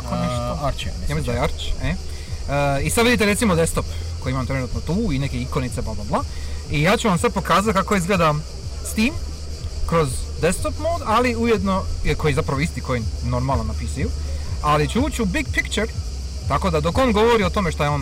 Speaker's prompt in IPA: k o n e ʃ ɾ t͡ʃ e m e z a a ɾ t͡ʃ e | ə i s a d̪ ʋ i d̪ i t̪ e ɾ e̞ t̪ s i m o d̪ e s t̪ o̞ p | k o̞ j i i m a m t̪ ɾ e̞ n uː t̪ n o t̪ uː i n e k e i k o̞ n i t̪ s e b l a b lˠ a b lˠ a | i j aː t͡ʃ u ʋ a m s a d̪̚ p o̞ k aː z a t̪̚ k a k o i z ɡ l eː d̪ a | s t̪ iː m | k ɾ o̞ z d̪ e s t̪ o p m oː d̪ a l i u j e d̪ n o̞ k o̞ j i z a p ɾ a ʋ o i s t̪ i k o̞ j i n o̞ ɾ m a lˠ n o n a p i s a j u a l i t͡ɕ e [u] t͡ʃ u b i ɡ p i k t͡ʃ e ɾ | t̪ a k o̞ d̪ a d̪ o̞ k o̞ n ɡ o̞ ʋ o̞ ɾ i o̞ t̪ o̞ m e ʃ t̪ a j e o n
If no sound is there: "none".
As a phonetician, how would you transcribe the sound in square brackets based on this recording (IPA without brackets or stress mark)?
uː